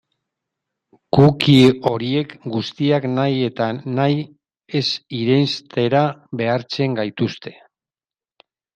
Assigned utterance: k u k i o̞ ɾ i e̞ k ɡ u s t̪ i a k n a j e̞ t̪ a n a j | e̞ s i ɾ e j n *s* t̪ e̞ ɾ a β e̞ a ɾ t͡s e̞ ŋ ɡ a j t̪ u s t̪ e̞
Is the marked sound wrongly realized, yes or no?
no